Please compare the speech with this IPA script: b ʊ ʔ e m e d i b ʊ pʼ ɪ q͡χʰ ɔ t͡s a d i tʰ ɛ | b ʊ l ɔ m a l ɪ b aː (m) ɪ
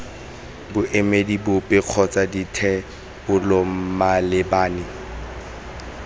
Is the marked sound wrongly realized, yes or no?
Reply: yes